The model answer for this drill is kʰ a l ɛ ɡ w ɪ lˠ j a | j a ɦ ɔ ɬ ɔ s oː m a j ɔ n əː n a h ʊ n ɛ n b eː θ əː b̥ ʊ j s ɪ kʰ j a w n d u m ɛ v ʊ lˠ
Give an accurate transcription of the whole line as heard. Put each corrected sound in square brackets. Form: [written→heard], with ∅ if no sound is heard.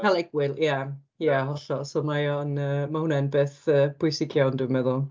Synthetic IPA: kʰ a l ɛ ɡ w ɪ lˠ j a | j a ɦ ɔ ɬ ɔ s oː m a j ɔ n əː [n→m] a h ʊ n ɛ n b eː θ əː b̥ ʊ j s ɪ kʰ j a w n d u m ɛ [v→ð] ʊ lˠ